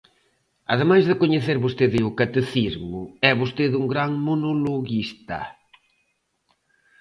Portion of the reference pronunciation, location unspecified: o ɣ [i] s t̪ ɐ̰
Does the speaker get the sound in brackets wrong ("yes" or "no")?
no